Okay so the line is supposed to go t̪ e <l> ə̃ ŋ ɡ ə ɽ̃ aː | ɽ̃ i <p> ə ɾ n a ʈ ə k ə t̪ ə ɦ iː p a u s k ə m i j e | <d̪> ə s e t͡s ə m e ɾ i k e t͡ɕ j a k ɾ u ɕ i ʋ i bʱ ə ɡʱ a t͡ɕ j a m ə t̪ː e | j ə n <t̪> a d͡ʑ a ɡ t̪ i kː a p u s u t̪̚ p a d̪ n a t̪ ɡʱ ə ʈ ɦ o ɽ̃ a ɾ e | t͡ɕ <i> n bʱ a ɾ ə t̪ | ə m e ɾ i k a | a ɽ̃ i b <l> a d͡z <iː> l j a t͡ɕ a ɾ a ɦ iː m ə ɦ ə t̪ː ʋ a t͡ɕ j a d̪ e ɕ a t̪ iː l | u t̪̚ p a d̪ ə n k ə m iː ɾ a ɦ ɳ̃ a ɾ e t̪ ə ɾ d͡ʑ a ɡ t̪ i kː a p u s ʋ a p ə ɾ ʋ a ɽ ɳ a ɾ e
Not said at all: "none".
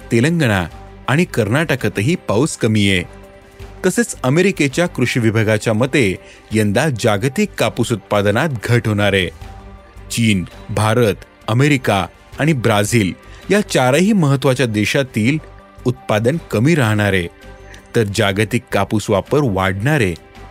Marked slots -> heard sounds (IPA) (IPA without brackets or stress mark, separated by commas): l, k, t̪, d̪, iː, ɾ, iː